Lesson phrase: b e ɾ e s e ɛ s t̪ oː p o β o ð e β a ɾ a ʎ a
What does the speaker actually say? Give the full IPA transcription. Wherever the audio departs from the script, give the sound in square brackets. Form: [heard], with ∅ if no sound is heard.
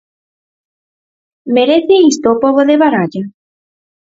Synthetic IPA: [m] e ɾ e [θ] e [i] s t̪ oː p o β o ð e β a ɾ a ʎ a